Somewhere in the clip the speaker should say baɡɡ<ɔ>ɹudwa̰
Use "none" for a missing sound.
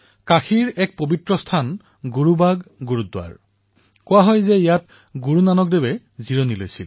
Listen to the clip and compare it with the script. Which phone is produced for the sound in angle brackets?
u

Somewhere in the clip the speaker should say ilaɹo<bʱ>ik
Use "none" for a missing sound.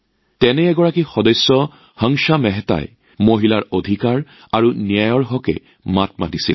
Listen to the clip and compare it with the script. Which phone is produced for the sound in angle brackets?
dʱ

